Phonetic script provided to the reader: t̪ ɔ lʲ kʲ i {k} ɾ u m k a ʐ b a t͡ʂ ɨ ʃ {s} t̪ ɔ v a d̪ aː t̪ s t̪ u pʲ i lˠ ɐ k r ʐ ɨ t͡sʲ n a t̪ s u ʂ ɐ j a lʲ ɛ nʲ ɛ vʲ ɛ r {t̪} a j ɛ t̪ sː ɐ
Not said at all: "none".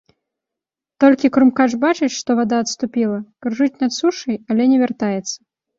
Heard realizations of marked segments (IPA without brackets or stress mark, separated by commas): k, ʂ, t̪